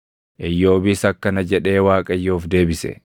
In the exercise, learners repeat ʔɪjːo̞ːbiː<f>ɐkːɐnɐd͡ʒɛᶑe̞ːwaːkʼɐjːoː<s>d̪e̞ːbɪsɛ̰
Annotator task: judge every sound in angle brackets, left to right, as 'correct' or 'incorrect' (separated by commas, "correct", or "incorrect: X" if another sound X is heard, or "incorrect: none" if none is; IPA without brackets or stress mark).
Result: incorrect: s, incorrect: f